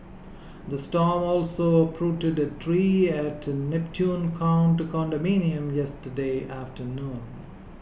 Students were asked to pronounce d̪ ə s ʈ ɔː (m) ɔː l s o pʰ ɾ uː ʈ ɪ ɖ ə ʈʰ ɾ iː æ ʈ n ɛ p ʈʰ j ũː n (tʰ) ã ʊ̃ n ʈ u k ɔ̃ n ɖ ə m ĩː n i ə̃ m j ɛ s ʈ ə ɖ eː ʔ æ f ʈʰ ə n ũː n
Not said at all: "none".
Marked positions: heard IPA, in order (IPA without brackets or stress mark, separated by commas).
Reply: m, kʰ